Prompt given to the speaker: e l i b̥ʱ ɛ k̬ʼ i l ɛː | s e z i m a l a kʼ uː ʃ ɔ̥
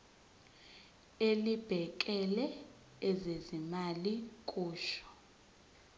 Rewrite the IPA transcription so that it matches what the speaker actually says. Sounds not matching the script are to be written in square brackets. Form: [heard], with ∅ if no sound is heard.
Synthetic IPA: e l i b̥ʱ ɛ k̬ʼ [ɛ] l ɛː | [z] e z i m a l [i] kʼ uː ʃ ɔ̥